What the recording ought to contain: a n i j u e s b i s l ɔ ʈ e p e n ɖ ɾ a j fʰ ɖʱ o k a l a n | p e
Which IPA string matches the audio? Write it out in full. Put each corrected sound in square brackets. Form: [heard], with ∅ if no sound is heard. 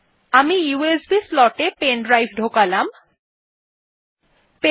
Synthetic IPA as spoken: a [m] i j u e s b i s l ɔ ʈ e p e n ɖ ɾ a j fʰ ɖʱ o k a l a [m] | p e